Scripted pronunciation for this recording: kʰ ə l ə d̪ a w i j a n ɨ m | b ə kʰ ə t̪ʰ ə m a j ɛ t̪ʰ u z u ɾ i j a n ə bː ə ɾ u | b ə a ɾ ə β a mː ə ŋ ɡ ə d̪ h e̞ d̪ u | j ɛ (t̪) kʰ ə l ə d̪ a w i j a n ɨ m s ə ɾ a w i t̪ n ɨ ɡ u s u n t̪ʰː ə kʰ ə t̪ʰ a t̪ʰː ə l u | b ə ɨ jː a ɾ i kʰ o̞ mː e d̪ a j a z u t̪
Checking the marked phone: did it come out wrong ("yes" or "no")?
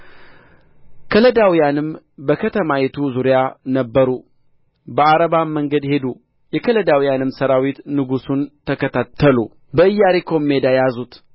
yes